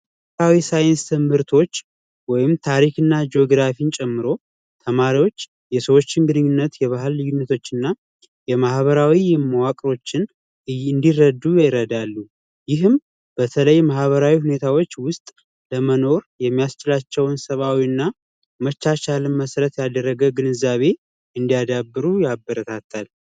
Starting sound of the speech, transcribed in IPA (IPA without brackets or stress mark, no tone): a